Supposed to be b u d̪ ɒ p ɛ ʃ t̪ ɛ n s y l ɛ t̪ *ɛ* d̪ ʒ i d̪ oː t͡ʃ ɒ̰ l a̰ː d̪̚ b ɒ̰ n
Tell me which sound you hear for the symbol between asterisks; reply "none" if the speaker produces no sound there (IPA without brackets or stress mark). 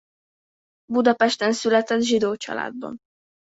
ɛ